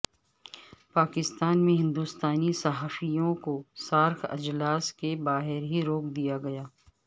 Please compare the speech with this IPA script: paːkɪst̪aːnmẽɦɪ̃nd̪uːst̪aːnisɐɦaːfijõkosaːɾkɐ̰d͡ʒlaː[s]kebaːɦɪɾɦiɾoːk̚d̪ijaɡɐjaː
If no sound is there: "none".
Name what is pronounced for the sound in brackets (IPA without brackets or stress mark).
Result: s